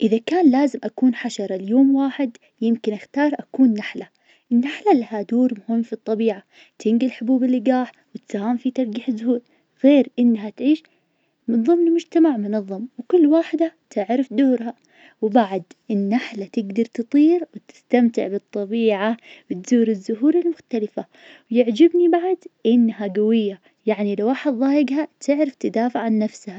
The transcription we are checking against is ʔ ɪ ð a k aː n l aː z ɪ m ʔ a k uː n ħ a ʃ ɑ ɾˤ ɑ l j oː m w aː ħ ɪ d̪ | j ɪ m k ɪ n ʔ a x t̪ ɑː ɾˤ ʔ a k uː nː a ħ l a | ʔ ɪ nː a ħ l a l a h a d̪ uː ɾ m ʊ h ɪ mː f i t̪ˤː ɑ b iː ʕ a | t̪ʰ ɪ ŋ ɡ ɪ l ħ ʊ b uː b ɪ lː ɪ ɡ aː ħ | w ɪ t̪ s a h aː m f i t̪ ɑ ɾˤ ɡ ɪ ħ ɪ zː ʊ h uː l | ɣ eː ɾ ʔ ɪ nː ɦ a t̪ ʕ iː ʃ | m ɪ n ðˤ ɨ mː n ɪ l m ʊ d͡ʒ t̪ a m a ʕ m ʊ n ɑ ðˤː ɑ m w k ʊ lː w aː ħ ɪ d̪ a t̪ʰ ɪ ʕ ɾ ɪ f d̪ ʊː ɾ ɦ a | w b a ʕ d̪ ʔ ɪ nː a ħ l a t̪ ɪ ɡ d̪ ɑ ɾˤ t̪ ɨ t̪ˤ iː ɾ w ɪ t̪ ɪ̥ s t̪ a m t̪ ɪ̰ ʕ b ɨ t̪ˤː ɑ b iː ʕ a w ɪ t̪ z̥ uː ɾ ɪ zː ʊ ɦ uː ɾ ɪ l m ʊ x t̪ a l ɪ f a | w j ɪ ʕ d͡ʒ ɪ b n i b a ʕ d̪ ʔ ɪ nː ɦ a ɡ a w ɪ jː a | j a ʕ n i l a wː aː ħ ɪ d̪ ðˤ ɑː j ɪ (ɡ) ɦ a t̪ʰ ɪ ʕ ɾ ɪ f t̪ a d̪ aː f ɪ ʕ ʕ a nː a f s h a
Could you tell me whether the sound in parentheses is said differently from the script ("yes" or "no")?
no